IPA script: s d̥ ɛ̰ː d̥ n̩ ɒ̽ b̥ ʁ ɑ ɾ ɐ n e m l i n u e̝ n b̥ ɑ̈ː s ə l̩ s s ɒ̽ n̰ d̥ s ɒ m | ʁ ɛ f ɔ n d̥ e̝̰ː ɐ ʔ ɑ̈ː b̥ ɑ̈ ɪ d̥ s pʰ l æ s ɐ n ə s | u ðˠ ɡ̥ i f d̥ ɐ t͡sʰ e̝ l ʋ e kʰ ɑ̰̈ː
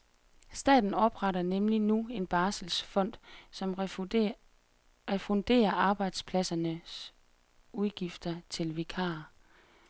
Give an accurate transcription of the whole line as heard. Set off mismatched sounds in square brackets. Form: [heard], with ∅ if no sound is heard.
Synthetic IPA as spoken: s d̥ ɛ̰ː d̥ n̩ ɒ̽ b̥ ʁ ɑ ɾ ɐ n e m l i n u e̝ n b̥ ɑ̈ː s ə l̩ s [f] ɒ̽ n̰ d̥ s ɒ m | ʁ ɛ f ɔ n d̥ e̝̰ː ɐ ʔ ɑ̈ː b̥ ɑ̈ ɪ d̥ s pʰ l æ s ɐ n ə s | u ðˠ ɡ̥ i f d̥ ɐ t͡sʰ e̝ l ʋ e kʰ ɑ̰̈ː